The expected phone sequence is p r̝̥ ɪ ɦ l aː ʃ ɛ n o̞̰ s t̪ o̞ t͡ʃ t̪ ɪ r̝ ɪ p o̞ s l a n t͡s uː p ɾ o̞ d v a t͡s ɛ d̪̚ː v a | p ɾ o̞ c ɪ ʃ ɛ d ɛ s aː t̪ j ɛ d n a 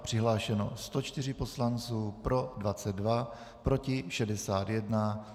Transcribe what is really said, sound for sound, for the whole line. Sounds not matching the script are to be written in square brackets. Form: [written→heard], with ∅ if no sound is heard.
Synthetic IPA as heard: p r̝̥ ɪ ɦ l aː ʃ ɛ n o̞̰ s t̪ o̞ t͡ʃ t̪ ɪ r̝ ɪ p o̞ s l a n t͡s uː p ɾ o̞ d v a t͡s ɛ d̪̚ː v a | p ɾ o̞ c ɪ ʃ ɛ d ɛ s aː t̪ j ɛ d n a